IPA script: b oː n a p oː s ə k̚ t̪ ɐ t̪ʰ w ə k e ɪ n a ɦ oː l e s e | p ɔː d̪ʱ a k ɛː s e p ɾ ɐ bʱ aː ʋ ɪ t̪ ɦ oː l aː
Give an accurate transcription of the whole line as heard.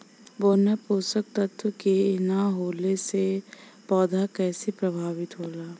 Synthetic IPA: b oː n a p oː s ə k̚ t̪ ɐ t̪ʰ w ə k e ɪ n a ɦ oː l e s e | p ɔː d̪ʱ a k ɛː s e p ɾ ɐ bʱ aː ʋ ɪ t̪ ɦ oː l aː

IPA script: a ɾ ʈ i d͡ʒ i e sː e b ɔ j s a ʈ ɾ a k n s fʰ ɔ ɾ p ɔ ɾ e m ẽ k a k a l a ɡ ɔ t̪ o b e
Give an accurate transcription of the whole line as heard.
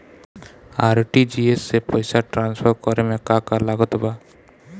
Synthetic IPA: a ɾ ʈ i d͡ʒ i e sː e p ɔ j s a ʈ ɾ a n s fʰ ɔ ɾ k ɔ ɾ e m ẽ k a k a l a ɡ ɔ t̪ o b a

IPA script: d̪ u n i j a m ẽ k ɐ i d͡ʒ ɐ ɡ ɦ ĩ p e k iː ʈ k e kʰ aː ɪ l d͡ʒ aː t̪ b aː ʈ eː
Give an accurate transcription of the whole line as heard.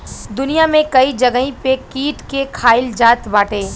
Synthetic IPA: d̪ ʊ n i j a m ẽ k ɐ i d͡ʒ ɐ ɡ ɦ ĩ p e k iː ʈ k e kʰ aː ɪ l d͡ʒ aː t̪ b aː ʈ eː

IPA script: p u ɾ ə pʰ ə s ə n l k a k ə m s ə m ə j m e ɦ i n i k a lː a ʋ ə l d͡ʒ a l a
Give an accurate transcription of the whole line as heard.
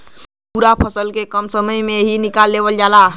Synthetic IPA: p u ɾ a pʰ ə s ə l k e k ə m s ə m ə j m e ɦ i n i k a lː e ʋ ə l d͡ʒ a l a

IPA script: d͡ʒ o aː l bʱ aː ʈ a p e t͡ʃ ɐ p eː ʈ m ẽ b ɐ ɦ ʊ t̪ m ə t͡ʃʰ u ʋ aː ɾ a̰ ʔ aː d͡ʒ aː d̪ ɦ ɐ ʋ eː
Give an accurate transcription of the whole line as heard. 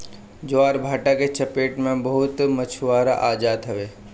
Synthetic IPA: d͡ʒ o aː ɾ bʱ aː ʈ a k e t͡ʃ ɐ p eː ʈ m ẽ b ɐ ɦ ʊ t̪ m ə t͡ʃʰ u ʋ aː ɾ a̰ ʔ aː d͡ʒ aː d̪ ɦ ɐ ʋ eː

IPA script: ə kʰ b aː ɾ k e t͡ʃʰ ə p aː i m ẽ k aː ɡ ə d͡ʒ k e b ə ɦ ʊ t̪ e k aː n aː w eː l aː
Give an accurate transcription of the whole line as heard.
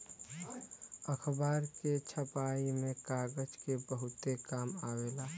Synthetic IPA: ə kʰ b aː ɾ k e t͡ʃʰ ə p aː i m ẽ k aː ɡ ə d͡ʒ k e b ə ɦ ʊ t̪ e k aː m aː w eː l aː

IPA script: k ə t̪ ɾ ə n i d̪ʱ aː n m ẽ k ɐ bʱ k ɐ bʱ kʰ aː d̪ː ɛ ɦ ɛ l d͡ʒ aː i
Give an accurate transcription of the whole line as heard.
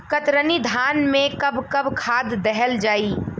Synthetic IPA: k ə t̪ ɾ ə n i d̪ʱ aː n m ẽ k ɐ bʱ k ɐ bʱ kʰ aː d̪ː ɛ ɦ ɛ l d͡ʒ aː i

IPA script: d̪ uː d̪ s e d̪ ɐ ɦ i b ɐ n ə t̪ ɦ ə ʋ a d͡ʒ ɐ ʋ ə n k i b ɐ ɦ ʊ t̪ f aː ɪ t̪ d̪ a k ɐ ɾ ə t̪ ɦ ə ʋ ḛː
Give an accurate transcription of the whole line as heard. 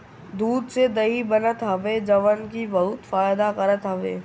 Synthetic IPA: d̪ uː d̪ s e d̪ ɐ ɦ i b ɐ n ə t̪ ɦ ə ʋ e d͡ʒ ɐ ʋ ə n k i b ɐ ɦ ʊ t̪ f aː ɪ d̪ a k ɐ ɾ ə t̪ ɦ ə ʋ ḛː

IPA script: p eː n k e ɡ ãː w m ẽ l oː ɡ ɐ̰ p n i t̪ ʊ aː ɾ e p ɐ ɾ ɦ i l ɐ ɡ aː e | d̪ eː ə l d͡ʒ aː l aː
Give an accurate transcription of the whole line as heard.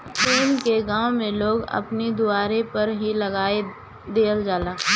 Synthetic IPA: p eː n k e ɡ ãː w m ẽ l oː ɡ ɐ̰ p n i d̪ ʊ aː ɾ e p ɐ ɾ ɦ i l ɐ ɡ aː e | d̪ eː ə l d͡ʒ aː l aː

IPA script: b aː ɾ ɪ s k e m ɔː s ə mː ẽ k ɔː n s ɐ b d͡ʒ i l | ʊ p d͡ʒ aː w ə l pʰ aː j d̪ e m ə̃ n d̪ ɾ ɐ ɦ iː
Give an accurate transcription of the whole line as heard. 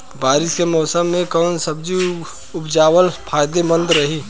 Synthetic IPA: b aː ɾ ɪ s k e m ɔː s ə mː ẽ k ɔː n s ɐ b d͡ʒ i | ʊ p d͡ʒ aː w ə l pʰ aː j d̪ e m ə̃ n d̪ ɾ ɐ ɦ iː

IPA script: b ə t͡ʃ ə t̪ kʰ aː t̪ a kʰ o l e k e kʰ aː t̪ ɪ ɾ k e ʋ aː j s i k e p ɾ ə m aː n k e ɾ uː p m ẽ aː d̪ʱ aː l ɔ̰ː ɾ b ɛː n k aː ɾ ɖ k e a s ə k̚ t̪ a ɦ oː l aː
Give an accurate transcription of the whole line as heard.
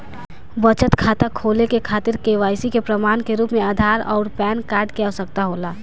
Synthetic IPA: b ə t͡ʃ ə t̪ kʰ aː t̪ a kʰ o l e k e kʰ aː t̪ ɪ ɾ k e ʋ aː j s i k e p ɾ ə m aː n k e ɾ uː p m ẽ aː d̪ʱ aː ɾ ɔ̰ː ɾ p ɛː n k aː ɾ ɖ k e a s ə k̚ t̪ a ɦ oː l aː

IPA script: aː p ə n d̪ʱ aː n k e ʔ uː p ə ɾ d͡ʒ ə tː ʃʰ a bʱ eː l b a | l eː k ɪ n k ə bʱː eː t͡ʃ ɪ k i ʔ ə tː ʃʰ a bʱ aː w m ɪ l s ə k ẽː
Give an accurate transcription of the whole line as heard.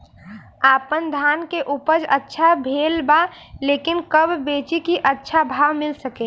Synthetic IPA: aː p ə n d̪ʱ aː n k e ʔ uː p ə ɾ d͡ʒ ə tː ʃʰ a bʱ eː l b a | l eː k ɪ n k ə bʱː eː t͡ʃ i k i ʔ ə tː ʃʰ a bʱ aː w m ɪ l s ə k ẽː

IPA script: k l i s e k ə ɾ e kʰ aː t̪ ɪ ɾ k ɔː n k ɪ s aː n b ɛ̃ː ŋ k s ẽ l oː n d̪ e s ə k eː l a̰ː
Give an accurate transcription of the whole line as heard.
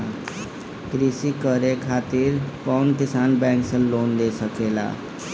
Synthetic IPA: k ɾ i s i k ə ɾ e kʰ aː t̪ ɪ ɾ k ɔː n k ɪ s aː n b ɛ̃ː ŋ k s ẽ l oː n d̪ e s ə k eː l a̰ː

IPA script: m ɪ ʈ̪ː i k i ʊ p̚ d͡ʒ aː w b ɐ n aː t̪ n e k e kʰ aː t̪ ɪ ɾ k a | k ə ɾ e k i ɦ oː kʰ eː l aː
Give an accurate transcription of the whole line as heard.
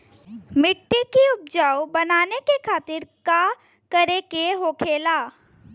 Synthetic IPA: m ɪ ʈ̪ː i k i ʊ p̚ d͡ʒ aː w b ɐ n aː n e k e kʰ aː t̪ ɪ ɾ k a | k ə ɾ e k e ɦ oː kʰ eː l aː

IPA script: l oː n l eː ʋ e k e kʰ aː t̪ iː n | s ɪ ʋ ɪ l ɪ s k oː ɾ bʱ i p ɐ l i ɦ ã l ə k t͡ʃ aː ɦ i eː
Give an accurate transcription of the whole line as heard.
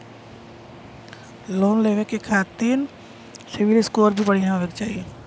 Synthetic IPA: l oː n l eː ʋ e k e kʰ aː t̪ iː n | s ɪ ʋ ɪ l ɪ s k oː ɾ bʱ i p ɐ ɽ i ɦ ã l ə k t͡ʃ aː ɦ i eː

